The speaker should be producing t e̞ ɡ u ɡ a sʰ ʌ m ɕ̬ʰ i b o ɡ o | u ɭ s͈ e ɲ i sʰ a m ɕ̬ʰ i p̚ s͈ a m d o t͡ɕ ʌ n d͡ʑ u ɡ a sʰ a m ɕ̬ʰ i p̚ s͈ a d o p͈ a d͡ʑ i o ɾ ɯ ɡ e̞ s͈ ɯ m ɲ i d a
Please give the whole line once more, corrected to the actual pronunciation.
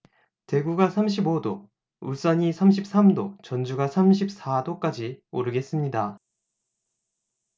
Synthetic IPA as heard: t e̞ ɡ u ɡ a sʰ a m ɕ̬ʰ i b o d o | u ɭ s͈ a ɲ i sʰ a m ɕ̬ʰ i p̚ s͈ a m d o t͡ɕ ʌ n d͡ʑ u ɡ a sʰ a m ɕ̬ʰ i p̚ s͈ a d o k͈ a d͡ʑ i o ɾ ɯ ɡ e̞ s͈ ɯ m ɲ i d a